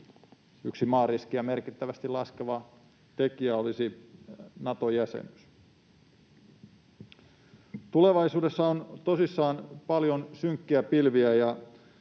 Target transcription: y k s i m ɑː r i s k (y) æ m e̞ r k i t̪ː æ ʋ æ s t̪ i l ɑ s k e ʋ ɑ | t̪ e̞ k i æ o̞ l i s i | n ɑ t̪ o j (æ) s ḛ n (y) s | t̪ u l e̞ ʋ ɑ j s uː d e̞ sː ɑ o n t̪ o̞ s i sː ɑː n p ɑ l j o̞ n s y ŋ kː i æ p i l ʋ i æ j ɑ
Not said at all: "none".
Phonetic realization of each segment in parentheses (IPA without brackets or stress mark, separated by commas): i, æ, y